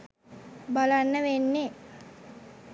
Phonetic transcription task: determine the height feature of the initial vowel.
low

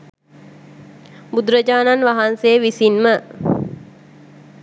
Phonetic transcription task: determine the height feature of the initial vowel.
high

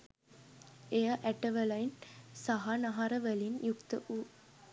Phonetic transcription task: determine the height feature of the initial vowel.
mid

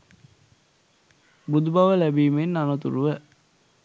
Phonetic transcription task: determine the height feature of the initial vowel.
high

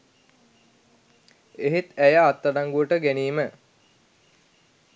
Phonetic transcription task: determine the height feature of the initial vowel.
mid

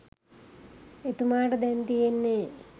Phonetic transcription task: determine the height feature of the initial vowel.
mid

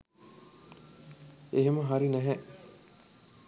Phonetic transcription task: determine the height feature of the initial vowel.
mid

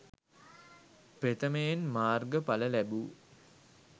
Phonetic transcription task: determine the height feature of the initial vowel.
mid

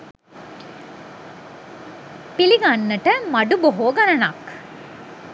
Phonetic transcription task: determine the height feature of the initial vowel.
high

